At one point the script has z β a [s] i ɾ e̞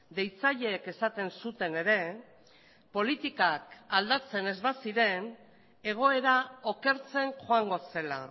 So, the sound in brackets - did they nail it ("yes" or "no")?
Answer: yes